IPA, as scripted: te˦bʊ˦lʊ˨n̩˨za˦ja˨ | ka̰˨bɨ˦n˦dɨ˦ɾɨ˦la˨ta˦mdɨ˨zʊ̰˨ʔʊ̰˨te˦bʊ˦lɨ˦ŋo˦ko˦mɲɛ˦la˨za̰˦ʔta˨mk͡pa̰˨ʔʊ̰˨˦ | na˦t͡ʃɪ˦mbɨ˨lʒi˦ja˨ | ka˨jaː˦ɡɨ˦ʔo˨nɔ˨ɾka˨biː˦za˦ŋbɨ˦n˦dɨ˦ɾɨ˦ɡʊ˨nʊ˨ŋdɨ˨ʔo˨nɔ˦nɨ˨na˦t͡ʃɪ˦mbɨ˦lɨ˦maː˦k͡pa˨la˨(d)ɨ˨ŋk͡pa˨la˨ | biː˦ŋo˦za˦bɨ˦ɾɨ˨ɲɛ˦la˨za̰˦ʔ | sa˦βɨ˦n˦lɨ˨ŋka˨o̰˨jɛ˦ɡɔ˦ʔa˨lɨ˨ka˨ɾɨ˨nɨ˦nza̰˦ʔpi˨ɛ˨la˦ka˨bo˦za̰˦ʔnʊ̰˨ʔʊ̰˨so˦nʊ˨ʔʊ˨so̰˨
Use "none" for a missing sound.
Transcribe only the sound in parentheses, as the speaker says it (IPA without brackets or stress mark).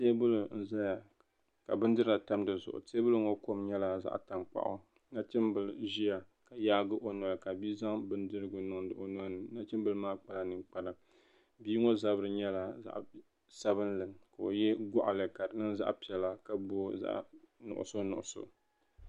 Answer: n